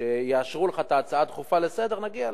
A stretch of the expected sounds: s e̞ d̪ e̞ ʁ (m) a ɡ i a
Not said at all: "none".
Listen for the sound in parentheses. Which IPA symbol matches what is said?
n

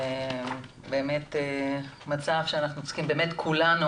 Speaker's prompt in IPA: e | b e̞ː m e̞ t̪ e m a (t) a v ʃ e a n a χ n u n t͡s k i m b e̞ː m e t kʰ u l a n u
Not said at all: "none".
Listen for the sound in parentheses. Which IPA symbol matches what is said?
t͡s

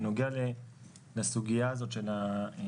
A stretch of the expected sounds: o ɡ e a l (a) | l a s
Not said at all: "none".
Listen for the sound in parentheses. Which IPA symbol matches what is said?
e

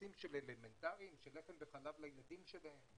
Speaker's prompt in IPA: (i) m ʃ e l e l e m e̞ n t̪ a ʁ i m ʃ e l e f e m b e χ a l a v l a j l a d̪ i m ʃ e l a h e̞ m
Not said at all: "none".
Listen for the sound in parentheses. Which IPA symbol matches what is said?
i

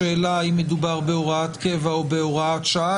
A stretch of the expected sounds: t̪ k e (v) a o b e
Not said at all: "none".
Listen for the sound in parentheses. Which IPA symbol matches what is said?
v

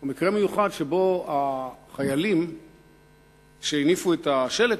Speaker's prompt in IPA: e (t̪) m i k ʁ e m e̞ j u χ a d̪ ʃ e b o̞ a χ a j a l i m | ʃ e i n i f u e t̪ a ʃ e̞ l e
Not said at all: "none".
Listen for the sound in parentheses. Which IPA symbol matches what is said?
none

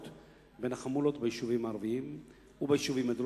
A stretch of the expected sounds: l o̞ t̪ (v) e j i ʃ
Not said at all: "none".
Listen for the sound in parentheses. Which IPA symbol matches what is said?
b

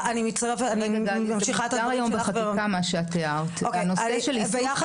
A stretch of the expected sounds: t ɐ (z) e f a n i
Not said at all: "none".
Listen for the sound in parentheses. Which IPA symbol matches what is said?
ʁ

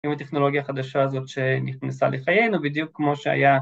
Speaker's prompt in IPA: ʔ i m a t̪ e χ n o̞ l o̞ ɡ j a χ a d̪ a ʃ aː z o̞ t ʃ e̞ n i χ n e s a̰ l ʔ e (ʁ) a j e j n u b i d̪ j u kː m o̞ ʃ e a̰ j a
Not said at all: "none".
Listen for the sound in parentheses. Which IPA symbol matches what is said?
χ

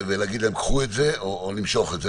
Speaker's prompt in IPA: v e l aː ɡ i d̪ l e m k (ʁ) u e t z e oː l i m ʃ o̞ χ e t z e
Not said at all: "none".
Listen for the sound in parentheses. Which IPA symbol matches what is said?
χ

